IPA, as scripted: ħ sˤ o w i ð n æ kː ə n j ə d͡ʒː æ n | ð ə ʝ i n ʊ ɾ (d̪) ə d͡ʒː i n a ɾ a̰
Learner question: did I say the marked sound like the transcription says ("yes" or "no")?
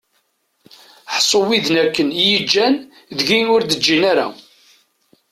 yes